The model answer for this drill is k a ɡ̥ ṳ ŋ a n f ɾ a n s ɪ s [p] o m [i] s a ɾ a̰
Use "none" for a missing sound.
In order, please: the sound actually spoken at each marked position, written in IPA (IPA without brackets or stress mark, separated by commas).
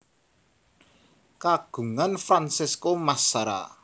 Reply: k, a